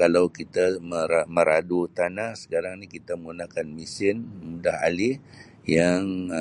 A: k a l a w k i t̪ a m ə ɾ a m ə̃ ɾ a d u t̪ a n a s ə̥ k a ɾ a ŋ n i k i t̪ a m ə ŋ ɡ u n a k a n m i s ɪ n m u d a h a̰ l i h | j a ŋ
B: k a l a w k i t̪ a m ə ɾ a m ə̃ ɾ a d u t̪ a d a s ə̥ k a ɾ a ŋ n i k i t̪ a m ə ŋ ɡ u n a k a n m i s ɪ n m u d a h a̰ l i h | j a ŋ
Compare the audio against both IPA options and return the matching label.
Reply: A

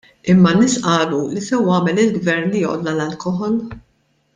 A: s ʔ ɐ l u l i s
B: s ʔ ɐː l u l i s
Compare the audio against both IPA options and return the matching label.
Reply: B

